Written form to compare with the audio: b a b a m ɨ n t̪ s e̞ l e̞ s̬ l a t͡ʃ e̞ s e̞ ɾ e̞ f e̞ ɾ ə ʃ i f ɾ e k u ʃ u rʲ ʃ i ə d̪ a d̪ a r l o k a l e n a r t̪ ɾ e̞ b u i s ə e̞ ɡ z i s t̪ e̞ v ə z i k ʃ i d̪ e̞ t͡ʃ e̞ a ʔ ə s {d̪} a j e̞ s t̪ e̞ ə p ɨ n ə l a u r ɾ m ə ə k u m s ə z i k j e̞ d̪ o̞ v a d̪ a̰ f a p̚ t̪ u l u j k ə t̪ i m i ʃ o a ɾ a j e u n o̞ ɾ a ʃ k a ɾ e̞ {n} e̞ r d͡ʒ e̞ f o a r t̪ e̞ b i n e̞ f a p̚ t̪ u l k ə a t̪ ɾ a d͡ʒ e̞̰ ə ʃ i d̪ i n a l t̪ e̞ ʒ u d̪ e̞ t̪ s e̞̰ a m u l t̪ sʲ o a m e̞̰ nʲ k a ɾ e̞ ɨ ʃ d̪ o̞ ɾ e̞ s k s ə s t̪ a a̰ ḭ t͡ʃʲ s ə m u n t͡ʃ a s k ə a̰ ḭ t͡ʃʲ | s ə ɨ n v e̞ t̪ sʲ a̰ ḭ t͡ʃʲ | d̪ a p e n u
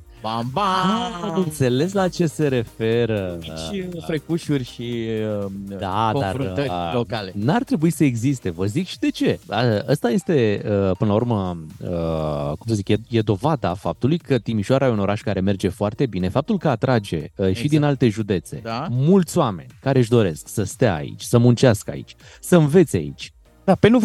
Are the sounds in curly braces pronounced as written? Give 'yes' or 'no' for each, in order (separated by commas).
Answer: no, no